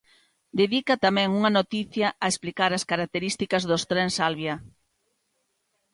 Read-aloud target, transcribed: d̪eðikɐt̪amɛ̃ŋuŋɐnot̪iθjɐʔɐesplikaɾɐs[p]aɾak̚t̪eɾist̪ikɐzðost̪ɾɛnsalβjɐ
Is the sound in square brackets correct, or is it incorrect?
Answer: incorrect: k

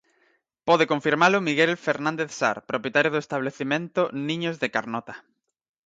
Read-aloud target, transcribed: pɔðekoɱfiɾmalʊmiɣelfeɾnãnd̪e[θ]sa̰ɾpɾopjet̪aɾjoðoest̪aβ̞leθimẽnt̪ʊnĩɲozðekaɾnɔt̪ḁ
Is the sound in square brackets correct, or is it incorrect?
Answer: correct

